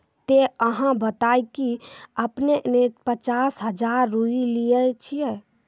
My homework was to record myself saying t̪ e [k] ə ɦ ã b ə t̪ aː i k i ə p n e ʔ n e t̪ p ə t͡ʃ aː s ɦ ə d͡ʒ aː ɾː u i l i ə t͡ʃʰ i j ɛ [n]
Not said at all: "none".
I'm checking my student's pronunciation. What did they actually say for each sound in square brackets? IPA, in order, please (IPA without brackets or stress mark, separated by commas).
none, none